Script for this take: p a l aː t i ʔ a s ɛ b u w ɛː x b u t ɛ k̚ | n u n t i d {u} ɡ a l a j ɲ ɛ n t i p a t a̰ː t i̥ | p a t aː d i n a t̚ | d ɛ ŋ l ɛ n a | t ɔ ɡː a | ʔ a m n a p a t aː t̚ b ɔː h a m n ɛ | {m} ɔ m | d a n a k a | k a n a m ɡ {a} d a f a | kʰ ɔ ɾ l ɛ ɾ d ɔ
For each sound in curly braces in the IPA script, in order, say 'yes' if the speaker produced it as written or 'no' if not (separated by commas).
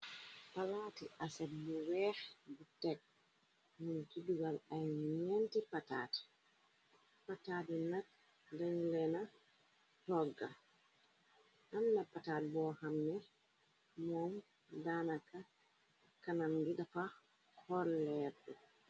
yes, yes, no